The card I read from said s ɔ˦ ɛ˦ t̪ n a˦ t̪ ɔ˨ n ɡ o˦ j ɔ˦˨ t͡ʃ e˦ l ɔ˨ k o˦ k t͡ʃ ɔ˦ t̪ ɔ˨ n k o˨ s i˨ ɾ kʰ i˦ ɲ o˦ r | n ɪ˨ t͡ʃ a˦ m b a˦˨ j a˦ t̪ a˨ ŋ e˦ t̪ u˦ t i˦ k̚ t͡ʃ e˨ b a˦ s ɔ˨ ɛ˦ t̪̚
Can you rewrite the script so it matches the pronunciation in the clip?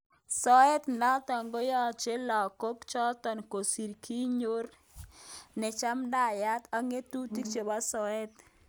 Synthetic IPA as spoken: s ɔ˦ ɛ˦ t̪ n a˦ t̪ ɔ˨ ŋ ɡ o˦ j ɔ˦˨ t͡ʃ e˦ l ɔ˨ k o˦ k t͡ʃ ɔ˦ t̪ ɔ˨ n k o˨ s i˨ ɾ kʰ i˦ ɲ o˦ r | n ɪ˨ t͡ʃ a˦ m d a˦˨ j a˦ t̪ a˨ ŋ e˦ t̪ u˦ t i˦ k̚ t͡ʃ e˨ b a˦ s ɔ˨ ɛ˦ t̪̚